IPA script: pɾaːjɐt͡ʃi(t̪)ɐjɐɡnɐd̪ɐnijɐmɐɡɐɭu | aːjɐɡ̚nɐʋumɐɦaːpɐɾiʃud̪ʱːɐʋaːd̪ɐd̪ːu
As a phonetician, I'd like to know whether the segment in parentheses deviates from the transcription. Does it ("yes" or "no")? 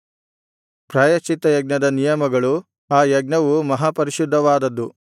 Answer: no